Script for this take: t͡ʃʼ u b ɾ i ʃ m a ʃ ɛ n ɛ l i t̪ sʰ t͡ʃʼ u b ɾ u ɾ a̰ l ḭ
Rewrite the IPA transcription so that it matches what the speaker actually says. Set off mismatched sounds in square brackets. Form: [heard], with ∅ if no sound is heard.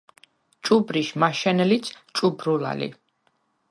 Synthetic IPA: t͡ʃʼ u b ɾ i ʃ m a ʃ ɛ n ɛ l i t̪ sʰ t͡ʃʼ u b ɾ u [l] a̰ l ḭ